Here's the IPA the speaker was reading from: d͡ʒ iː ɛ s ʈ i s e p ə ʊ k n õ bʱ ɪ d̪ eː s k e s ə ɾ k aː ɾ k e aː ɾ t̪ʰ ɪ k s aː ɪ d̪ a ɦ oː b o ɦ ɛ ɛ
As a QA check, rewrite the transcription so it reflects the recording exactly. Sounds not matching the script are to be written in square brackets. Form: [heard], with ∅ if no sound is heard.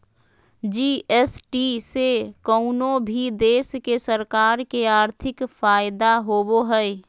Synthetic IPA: d͡ʒ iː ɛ s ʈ i s e [k] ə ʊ [∅] n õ bʱ [i] d̪ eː s k e s ə ɾ k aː ɾ k e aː ɾ t̪ʰ ɪ k [f] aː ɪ d̪ a ɦ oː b o ɦ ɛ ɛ